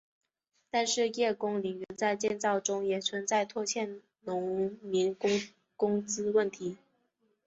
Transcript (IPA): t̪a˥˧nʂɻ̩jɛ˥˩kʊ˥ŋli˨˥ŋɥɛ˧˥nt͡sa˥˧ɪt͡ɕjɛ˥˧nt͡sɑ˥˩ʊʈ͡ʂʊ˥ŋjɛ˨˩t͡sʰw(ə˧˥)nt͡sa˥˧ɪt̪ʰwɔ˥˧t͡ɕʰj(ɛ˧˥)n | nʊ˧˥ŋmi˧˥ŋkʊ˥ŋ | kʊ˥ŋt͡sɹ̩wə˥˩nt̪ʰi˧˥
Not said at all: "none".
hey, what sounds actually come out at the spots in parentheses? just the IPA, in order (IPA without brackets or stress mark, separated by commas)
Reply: ə˧˥, ɛ˥˩